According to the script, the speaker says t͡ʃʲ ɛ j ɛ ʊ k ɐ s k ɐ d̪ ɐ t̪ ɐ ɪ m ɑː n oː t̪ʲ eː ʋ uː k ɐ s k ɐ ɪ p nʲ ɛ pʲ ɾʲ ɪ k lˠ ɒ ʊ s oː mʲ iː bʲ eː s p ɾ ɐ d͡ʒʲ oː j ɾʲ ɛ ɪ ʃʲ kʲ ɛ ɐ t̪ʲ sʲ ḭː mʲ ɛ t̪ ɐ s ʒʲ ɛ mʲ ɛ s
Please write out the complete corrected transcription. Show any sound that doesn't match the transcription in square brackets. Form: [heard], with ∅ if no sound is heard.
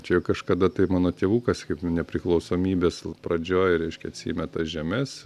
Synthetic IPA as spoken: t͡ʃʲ ɛ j ɛ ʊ k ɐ [ʃ] k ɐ d̪ ɐ t̪ ɐ ɪ m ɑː n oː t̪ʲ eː ʋ uː k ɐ s k ɐ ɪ p nʲ ɛ pʲ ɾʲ ɪ k lˠ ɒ ʊ s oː mʲ iː bʲ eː s p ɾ ɐ d͡ʒʲ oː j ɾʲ ɛ ɪ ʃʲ kʲ ɛ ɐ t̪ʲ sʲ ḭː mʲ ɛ t̪ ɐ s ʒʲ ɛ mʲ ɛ s

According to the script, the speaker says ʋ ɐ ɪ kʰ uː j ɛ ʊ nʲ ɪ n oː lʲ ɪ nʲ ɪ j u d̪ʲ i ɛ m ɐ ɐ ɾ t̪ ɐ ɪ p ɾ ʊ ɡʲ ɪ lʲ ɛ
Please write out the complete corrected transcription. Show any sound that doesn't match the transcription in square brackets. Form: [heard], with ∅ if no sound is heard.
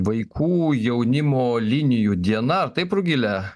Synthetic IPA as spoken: ʋ ɐ ɪ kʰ uː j ɛ ʊ nʲ ɪ [m] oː lʲ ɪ nʲ ɪ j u d̪ʲ i ɛ [n] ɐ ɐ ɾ t̪ ɐ ɪ p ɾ ʊ ɡʲ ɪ lʲ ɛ

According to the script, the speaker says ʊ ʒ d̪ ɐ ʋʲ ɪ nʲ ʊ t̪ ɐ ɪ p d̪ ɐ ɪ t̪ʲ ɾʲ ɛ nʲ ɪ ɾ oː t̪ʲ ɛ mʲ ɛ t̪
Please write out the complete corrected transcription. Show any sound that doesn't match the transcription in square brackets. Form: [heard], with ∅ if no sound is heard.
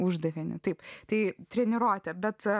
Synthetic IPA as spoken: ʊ ʒ d̪ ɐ ʋʲ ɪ nʲ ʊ t̪ ɐ ɪ p [t̪] ɐ ɪ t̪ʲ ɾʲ ɛ nʲ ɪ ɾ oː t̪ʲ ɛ [bʲ] ɛ t̪

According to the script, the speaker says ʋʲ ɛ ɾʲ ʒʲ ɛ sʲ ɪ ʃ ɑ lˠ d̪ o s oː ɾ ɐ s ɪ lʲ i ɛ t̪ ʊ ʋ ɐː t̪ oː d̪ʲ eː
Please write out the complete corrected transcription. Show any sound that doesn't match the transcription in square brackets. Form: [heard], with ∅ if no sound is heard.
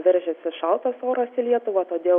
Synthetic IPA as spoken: ʋʲ ɛ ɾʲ ʒʲ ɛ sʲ ɪ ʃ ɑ lˠ [t̪] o s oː ɾ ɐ s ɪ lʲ i ɛ t̪ ʊ ʋ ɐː t̪ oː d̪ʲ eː

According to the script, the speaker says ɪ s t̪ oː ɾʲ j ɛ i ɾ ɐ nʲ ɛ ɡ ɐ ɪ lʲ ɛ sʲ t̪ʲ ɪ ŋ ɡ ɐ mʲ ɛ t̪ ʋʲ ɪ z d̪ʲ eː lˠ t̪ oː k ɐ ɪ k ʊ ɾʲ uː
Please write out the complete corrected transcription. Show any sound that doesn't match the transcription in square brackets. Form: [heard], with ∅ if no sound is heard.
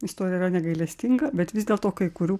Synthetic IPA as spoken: ɪ s t̪ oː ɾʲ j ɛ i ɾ ɐ nʲ ɛ ɡ ɐ ɪ lʲ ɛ sʲ t̪ʲ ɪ ŋ ɡ ɐ [bʲ] ɛ t̪ ʋʲ ɪ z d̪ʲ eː lˠ t̪ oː k ɐ ɪ k ʊ ɾʲ uː

